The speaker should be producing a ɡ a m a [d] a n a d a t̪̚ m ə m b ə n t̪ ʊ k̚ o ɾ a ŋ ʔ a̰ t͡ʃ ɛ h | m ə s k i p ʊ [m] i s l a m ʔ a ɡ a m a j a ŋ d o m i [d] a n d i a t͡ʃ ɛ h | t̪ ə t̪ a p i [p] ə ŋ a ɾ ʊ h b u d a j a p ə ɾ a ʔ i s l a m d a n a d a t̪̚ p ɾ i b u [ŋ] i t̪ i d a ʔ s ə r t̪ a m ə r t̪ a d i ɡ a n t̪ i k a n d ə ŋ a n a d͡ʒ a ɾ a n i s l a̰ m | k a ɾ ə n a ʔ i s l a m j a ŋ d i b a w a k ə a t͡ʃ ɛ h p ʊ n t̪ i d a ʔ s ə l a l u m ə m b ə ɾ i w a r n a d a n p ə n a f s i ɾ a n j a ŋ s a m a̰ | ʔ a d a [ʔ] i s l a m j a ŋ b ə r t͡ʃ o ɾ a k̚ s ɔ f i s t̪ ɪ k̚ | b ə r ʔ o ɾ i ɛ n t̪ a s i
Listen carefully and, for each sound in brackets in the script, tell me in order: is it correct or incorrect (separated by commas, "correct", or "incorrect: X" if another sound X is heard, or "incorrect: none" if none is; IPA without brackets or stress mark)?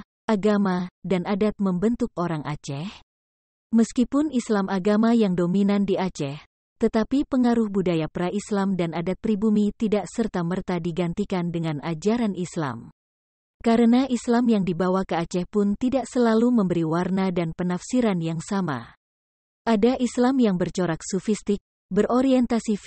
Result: correct, incorrect: n, incorrect: n, correct, incorrect: m, correct